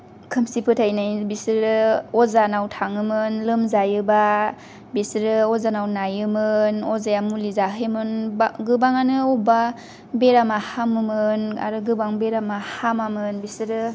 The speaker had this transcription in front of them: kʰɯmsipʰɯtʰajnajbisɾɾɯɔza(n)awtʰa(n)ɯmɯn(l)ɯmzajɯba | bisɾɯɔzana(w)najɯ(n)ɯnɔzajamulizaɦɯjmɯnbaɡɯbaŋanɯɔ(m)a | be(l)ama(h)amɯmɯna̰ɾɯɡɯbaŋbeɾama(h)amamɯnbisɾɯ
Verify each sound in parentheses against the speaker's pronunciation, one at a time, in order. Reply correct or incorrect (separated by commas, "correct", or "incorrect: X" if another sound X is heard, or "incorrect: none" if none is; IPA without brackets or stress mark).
correct, incorrect: ŋ, correct, correct, incorrect: m, incorrect: b, incorrect: ɾ, correct, correct